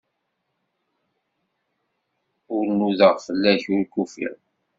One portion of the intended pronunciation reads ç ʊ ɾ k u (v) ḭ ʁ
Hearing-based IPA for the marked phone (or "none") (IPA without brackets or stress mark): f